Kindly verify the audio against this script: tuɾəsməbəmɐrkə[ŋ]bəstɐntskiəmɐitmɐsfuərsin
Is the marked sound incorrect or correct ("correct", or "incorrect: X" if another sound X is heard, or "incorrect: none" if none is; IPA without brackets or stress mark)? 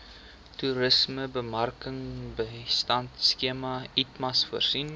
correct